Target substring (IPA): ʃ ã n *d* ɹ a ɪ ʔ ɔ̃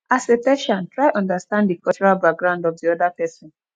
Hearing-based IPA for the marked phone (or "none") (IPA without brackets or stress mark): t